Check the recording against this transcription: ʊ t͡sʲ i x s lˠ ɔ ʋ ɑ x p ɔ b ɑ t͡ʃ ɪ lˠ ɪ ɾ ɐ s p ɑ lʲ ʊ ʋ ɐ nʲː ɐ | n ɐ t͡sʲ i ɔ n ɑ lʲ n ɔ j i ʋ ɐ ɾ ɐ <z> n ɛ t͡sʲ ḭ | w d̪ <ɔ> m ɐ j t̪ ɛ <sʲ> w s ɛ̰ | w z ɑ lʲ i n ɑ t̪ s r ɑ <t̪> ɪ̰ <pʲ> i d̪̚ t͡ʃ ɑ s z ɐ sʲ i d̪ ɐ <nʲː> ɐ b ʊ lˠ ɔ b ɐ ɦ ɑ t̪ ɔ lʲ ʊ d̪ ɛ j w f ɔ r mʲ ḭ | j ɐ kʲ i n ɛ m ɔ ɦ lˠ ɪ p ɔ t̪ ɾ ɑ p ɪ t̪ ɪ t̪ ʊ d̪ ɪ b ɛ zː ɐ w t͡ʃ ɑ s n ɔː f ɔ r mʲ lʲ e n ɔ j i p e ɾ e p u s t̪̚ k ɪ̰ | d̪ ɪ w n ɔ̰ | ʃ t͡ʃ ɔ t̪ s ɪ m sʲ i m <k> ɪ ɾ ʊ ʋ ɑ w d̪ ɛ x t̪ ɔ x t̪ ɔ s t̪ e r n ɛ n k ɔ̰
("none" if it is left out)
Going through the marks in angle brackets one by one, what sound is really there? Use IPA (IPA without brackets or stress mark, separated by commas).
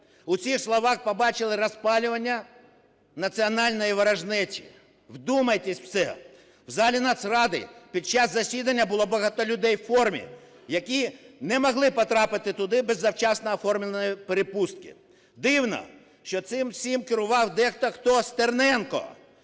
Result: ʒ, u, sʲ, d̪, pʲ, nʲː, k